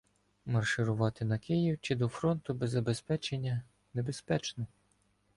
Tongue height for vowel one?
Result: low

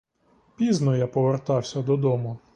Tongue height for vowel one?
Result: high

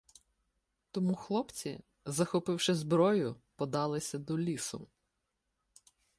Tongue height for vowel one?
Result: mid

